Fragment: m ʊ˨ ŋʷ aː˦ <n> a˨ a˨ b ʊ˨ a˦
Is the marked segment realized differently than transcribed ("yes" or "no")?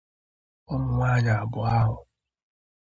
yes